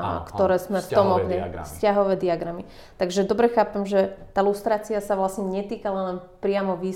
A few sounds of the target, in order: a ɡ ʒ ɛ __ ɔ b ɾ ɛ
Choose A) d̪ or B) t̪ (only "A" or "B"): A